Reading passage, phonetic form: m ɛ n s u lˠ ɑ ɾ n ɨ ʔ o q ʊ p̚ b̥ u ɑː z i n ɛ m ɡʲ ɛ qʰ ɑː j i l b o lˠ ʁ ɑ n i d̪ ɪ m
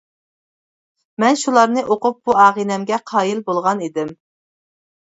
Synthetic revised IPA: m ɛ n ʃ u lˠ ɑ ɾ n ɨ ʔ o q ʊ p̚ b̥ u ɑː ʁ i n ɛ m ɡʲ ɛ qʰ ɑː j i l b o lˠ ʁ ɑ n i d̪ ɪ m